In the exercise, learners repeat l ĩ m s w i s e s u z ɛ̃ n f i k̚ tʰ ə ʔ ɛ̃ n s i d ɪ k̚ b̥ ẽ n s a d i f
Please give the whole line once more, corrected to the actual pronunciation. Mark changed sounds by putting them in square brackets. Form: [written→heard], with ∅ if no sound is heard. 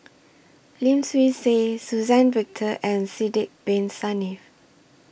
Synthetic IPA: l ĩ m s w i s e s u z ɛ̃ n [f→v] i k̚ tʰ ə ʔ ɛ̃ n s i d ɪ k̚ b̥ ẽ n s a [d→n] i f